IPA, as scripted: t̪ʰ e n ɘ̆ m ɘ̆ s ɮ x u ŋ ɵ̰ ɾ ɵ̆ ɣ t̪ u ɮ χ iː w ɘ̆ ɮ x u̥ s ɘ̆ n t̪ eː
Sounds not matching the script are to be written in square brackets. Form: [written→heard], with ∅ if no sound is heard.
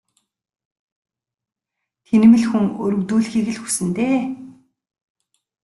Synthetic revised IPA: t̪ʰ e n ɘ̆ m ɘ̆ [s→∅] ɮ x u ŋ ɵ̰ ɾ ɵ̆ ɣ t̪ [u→uː] ɮ [χ→x] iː [w→ɣ] ɘ̆ ɮ x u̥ s ɘ̆ n t̪ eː